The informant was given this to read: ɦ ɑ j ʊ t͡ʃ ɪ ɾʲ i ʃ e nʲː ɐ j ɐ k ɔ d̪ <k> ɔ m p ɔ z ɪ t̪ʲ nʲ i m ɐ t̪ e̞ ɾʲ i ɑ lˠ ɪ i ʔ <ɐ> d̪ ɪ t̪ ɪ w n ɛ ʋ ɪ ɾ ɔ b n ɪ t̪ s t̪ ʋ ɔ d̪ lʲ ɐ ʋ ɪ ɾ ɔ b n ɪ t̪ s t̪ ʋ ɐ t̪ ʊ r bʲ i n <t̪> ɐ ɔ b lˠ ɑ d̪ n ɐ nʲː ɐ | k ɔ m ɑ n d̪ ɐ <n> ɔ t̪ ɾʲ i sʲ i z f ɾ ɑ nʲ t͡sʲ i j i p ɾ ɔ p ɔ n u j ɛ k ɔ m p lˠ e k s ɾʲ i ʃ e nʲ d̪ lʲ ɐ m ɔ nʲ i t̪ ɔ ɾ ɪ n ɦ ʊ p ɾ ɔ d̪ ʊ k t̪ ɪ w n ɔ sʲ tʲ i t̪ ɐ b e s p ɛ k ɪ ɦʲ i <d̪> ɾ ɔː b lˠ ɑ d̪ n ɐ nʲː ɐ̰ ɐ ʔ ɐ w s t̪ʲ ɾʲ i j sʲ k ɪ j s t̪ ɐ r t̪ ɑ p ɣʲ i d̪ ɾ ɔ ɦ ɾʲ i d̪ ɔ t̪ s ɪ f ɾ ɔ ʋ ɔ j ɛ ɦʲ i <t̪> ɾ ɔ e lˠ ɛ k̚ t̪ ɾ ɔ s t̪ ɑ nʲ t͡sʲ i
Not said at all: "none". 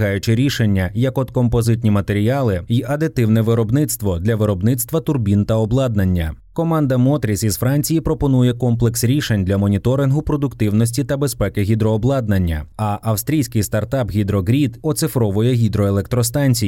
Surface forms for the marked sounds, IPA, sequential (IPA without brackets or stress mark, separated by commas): k, ɐ, t̪, m, d̪, d̪